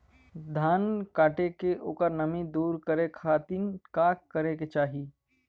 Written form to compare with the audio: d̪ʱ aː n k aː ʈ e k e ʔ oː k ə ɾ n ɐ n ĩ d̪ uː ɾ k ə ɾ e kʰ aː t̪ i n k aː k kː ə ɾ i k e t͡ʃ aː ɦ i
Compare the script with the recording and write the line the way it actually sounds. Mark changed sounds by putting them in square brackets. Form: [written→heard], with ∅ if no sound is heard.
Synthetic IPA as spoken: d̪ʱ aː n k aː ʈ e k e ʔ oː k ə ɾ n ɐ [n→m] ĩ d̪ uː ɾ k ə ɾ e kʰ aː t̪ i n k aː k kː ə ɾ [i→e] k e t͡ʃ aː ɦ i